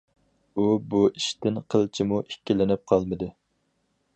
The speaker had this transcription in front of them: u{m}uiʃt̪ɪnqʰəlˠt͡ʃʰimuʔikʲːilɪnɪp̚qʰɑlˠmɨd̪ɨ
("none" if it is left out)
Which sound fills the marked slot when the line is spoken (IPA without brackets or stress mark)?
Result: b